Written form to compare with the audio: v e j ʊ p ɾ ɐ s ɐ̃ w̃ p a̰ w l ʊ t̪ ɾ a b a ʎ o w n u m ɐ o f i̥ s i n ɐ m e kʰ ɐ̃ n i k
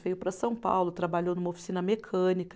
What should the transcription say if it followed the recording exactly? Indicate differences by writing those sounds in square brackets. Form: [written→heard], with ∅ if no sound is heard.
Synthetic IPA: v e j ʊ p ɾ ɐ s ɐ̃ w̃ p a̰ w l ʊ t̪ ɾ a b a ʎ o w n u m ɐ o f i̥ s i n ɐ m e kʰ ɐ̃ n i k